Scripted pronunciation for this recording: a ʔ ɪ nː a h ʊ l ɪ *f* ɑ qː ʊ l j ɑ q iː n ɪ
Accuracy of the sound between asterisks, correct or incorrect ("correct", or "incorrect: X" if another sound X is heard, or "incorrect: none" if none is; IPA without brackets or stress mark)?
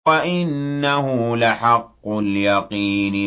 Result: incorrect: ħ